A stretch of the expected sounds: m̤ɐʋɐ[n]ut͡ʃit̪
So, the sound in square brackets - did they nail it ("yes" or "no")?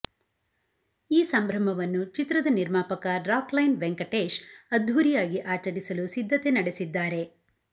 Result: no